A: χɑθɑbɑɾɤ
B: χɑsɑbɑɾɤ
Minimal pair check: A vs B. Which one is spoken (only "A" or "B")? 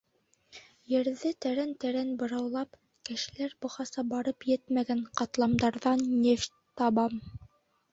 B